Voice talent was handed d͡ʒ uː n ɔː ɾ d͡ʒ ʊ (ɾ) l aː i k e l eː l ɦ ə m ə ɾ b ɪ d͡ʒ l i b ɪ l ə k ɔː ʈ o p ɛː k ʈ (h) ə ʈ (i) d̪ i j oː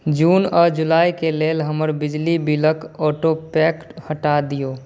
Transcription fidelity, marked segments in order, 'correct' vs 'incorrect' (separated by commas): incorrect, correct, incorrect